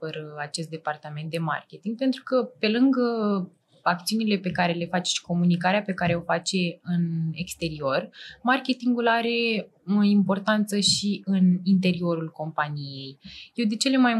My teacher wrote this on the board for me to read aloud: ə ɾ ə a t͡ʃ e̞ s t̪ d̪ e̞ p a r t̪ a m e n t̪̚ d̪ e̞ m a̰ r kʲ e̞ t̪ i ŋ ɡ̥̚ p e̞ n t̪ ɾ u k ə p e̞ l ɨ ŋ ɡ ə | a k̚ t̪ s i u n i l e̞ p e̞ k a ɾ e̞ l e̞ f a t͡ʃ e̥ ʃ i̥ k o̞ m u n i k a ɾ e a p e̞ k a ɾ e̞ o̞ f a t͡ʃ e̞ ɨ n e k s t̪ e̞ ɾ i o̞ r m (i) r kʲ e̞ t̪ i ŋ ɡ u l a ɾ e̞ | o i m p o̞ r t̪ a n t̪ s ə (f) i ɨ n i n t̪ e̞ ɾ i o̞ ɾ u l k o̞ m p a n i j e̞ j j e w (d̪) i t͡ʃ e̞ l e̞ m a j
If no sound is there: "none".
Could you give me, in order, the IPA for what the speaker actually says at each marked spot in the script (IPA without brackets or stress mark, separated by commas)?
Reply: a, ʃ, d̪